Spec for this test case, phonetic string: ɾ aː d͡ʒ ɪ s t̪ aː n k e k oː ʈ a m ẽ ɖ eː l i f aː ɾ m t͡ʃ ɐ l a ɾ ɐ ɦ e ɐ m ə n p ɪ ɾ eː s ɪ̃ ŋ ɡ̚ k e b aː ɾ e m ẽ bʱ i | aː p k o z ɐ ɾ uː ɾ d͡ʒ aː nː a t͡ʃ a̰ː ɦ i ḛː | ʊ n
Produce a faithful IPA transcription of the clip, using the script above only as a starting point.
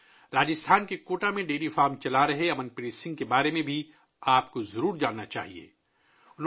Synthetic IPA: ɾ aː d͡ʒ ɪ s t̪ʰ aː n k e k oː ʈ a m ẽ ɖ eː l i f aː ɾ m t͡ʃ ɐ l a ɾ ɐ ɦ e ɐ m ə n p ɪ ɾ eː s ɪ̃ ŋ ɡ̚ k e b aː ɾ e m ẽ bʱ i | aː p k o z ɐ ɾ uː ɾ d͡ʒ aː nː a t͡ʃ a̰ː ɦ i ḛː | ʊ n